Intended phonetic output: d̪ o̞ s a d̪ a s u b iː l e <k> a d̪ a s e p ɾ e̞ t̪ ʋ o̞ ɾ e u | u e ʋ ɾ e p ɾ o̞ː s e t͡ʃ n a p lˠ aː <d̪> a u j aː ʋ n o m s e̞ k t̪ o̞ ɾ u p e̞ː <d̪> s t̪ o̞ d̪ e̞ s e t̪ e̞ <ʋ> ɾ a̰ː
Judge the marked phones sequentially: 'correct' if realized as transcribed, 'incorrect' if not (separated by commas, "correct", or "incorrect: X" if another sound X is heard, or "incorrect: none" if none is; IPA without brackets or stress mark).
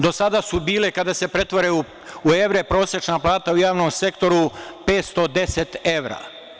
correct, incorrect: t̪, incorrect: t̪, correct